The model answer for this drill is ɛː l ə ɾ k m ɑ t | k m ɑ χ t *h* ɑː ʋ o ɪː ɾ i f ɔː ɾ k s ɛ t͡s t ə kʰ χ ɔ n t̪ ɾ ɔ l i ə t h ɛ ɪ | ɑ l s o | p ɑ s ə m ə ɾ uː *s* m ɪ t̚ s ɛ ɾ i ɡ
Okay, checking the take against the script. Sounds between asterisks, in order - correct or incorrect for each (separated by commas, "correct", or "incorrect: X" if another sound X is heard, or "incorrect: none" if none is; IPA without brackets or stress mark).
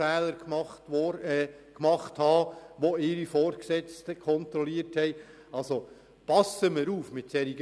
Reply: correct, incorrect: f